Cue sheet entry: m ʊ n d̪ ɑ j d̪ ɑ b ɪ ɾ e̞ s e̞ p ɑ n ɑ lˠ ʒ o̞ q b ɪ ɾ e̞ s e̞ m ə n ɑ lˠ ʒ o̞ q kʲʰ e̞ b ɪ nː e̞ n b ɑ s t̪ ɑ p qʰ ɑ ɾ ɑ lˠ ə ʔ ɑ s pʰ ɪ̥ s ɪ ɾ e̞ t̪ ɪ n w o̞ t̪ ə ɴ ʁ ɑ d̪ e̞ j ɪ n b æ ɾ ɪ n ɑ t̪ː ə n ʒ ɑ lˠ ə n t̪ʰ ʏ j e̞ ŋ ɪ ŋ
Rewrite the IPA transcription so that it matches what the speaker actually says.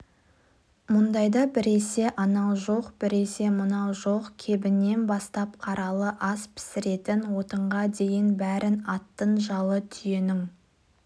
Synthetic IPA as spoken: m ʊ n d̪ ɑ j d̪ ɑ b ɪ ɾ e̞ s e̞ ʔ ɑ n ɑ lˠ ʒ o̞ q b ɪ ɾ e̞ s e̞ m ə n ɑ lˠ ʒ o̞ q kʲʰ e̞ b ɪ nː e̞ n b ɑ s t̪ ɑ p qʰ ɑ ɾ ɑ lˠ ə ʔ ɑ s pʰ ɪ̥ s ɪ ɾ e̞ t̪ ɪ n w o̞ t̪ ə ɴ ʁ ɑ d̪ e̞ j ɪ n b æ ɾ ɪ n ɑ t̪ː ə n ʒ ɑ lˠ ə t̪ʰ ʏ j e̞ n ɪ ŋ